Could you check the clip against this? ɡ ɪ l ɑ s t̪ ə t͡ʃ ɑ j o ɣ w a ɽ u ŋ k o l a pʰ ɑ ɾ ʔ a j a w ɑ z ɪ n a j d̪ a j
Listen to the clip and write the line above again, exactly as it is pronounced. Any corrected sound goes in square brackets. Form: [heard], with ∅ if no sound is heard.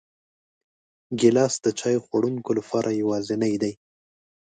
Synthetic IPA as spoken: ɡ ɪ l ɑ s [d̪] ə t͡ʃ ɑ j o [x] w a ɽ u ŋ k o l a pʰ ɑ ɾ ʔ a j a w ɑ z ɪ n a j d̪ a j